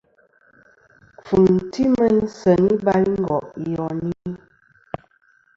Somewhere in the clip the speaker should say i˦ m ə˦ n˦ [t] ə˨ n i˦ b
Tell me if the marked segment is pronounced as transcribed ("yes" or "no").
no